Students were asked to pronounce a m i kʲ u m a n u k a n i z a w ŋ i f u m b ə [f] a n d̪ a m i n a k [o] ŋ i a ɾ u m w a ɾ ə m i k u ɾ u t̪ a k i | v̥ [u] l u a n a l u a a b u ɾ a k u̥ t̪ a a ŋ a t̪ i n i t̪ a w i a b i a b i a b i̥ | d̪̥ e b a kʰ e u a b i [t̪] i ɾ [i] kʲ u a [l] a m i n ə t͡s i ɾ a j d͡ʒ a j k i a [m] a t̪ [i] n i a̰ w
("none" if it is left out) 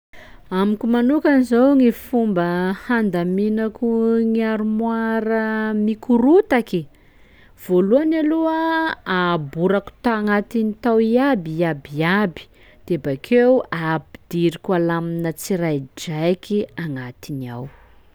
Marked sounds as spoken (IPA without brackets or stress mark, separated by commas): h, u, o, d̪, i, l, ŋ, i